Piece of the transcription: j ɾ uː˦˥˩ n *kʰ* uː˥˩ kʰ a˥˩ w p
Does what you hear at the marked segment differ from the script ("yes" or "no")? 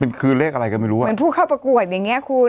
yes